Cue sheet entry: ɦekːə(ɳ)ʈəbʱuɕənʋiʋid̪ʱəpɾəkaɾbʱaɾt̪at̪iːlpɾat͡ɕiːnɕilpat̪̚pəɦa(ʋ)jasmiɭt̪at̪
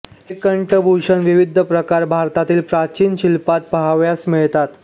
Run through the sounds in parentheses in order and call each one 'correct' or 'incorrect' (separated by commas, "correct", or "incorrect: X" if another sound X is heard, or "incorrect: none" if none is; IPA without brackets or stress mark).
correct, correct